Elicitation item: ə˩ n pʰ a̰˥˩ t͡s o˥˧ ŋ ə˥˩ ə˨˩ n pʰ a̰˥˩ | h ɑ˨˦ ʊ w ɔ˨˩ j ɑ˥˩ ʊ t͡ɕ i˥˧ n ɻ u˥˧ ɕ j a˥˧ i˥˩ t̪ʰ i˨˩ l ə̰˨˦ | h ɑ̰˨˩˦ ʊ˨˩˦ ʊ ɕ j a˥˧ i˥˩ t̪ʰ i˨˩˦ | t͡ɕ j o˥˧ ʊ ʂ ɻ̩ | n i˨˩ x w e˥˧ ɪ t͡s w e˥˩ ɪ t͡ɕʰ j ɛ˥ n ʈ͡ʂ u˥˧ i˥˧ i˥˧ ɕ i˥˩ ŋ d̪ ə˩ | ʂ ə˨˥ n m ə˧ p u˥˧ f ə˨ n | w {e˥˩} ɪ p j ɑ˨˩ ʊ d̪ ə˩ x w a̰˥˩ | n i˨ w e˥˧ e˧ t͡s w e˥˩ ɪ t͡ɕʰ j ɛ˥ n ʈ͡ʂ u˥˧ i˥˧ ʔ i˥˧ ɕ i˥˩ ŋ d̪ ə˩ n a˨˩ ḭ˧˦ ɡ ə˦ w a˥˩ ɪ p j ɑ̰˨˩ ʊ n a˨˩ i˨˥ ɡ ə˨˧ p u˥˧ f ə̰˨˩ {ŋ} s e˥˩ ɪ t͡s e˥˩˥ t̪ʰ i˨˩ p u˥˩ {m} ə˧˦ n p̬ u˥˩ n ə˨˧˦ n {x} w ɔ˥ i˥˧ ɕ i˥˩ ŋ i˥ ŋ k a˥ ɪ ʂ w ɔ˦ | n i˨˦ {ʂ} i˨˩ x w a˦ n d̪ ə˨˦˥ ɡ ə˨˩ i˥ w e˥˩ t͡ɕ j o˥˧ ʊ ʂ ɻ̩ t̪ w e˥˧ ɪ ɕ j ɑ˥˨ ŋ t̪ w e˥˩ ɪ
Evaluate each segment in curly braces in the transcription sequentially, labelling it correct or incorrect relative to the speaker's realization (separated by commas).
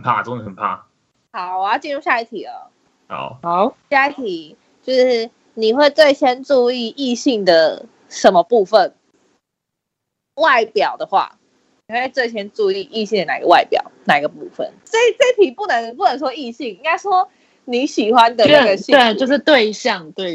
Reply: incorrect, incorrect, incorrect, incorrect, incorrect